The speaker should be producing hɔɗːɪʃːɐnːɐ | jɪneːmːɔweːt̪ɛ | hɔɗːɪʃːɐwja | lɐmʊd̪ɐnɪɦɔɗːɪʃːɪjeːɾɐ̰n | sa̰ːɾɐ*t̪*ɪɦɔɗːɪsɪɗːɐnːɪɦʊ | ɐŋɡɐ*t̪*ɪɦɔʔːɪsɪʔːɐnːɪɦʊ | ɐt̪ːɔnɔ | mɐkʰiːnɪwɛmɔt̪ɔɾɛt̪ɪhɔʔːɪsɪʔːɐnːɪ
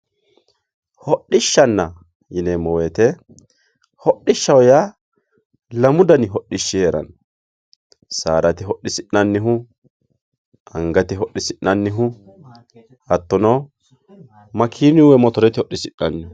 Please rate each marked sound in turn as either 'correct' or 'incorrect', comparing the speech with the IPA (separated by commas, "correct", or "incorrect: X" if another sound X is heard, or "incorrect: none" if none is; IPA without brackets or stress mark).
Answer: correct, correct